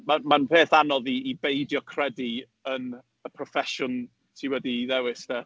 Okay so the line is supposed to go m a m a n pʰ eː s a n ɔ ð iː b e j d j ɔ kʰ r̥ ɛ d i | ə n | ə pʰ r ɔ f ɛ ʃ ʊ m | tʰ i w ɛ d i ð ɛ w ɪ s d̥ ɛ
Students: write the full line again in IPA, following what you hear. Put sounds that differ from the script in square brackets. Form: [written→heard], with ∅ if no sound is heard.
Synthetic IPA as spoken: m a m a n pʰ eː [s→θ] a n ɔ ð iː b e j d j ɔ kʰ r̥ ɛ d i | ə n | ə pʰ r ɔ f ɛ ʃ ʊ [m→n] | tʰ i w ɛ d i ð ɛ w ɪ s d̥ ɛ

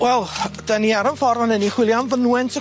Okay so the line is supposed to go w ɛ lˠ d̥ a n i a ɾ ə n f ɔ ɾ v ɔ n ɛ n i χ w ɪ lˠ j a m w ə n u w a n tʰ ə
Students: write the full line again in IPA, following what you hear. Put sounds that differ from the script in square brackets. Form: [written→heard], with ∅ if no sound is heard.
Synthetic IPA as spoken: w ɛ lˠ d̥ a n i a ɾ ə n f ɔ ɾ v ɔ n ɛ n i χ w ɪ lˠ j a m [w→v] ə n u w [a→ɛ] n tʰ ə

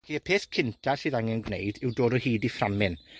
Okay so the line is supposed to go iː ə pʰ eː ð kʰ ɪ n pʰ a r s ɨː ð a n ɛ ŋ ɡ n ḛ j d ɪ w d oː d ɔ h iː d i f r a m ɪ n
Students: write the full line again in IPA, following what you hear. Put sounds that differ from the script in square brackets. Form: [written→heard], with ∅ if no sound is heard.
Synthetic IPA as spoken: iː ə pʰ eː [ð→θ] kʰ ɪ n [pʰ→tʰ] a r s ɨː ð a [n→ŋ] ɛ [ŋ→n] ɡ n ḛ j d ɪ w d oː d ɔ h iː d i f r a m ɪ n

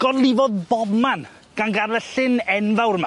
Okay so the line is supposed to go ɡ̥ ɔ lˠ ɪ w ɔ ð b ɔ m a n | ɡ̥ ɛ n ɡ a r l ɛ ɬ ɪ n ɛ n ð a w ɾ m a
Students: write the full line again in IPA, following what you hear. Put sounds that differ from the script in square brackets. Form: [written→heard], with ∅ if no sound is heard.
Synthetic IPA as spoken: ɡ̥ ɔ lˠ ɪ [w→v] ɔ ð b ɔ m a n | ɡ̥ [ɛ→a] n ɡ a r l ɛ ɬ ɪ n ɛ n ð a w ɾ m a

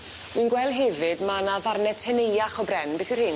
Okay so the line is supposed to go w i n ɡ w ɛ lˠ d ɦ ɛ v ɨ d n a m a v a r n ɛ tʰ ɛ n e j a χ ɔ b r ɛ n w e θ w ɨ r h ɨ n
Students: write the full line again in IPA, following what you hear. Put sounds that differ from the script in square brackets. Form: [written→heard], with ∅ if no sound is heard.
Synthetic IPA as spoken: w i n ɡ w ɛ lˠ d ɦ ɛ v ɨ d [n→m] a [m→n] a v a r n ɛ tʰ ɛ n e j a χ ɔ b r ɛ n [w→b] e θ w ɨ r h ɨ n

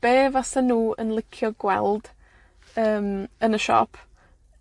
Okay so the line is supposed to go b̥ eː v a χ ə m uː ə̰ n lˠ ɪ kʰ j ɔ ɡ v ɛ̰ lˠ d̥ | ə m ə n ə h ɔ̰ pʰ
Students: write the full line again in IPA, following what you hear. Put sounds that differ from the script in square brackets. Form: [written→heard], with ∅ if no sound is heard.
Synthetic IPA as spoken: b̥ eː v a [χ→s] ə [m→n] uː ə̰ n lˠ ɪ kʰ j ɔ ɡ [v→w] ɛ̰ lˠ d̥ | [ə→əː] m ə n ə [h→ʃ] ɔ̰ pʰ

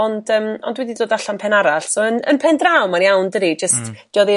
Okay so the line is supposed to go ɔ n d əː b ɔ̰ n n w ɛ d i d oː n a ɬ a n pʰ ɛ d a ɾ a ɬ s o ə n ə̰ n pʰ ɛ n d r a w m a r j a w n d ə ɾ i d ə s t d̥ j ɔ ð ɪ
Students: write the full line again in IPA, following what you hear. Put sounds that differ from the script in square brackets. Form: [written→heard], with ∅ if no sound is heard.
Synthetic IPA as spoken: ɔ n d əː [b→m] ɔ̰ n [n→d] w ɛ d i d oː [n→d] a ɬ a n pʰ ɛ [d→n] a ɾ a ɬ s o ə n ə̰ n pʰ ɛ n d r a w m a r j a w n d ə ɾ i [d→d͡ʒ] ə s t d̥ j ɔ ð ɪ

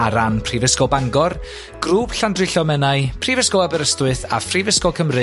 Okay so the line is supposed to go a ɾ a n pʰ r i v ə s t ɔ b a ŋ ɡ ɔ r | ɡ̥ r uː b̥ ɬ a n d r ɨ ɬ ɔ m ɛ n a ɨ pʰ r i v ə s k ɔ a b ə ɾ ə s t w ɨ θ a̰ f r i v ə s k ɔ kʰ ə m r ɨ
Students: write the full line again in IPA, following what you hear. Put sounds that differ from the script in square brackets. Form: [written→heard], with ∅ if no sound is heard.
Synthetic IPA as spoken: a ɾ a n pʰ r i v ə s [t→k] ɔ b a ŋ ɡ ɔ r | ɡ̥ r uː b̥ ɬ a n d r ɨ ɬ ɔ m ɛ n a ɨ pʰ r i v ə s k ɔ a b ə ɾ ə s t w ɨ θ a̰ f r i v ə s k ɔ kʰ ə m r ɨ

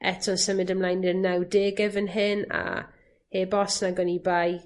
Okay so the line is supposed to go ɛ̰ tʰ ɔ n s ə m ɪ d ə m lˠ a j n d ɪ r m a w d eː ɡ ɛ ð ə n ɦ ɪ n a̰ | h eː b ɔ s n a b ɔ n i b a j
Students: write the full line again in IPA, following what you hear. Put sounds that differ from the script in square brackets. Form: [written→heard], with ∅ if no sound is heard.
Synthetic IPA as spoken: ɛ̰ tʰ ɔ n s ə m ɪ d ə m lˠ a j n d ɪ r [m→n] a w d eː ɡ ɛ [ð→v] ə n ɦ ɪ n a̰ | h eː b ɔ s n a [b→ɡ] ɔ n i b a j

